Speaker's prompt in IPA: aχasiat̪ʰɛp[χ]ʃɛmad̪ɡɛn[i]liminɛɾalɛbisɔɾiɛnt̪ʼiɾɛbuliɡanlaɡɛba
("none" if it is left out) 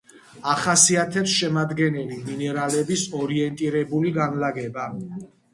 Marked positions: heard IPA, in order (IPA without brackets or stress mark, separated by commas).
s, ɛ